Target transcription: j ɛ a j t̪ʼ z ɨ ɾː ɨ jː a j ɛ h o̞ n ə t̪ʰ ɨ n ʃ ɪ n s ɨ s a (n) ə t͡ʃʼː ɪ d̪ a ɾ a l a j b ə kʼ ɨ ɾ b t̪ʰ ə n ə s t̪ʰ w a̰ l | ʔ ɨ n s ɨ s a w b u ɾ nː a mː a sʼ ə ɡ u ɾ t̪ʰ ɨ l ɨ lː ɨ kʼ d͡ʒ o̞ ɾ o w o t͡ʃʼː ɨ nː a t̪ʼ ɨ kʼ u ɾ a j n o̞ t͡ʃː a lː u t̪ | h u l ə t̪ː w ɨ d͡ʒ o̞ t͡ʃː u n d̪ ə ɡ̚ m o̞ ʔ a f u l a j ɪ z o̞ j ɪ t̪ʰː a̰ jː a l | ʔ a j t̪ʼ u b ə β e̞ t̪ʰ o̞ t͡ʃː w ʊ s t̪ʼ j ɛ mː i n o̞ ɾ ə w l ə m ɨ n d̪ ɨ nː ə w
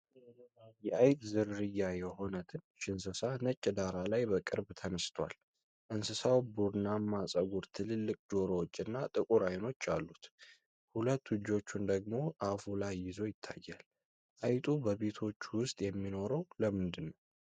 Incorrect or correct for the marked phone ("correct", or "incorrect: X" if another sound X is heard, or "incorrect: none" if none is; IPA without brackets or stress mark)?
correct